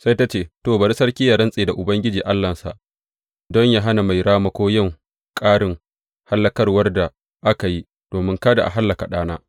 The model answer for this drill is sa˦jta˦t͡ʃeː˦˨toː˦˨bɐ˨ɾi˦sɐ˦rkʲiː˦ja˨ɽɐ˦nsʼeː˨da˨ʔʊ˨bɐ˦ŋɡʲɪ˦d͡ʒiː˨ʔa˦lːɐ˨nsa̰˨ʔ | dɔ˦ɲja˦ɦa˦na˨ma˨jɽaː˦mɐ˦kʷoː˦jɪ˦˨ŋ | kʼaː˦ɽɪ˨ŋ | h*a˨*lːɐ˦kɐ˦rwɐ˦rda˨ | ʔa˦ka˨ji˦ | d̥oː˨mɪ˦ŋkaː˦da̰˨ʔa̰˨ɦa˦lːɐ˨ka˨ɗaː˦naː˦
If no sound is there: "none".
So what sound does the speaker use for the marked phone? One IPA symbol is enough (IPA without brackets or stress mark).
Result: a˦